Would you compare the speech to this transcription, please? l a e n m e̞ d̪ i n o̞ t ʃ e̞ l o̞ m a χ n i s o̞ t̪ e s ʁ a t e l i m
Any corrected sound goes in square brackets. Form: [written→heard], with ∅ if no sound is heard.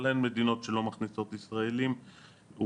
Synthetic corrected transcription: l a e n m e̞ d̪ i n o̞ t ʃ e̞ l o̞ m a χ n i s o̞ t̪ [e→i] s ʁ a [t→∅] e l i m